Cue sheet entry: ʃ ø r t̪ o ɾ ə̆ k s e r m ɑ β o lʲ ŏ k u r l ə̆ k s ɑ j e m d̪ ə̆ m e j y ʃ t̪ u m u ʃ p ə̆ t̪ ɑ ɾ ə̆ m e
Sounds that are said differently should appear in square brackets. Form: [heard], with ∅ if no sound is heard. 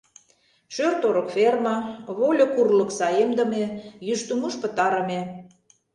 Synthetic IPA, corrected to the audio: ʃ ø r t̪ o ɾ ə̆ k [f] e r m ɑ β o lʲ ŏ k u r l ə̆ k s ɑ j e m d̪ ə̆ m e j y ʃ t̪ u m u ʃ p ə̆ t̪ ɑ ɾ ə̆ m e